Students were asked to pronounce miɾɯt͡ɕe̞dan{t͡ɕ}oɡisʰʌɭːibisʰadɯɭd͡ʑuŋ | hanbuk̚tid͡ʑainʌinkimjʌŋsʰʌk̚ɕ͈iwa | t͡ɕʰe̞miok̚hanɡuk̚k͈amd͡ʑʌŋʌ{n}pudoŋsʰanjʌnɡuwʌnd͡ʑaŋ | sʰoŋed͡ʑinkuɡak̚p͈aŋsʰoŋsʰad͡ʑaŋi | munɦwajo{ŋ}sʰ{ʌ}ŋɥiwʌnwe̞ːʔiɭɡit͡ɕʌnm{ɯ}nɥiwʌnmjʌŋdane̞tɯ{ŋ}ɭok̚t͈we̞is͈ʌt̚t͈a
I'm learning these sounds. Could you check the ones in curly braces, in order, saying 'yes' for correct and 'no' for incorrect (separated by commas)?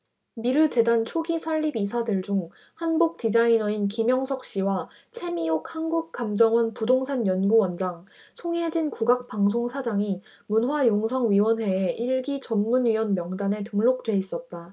no, yes, yes, yes, no, yes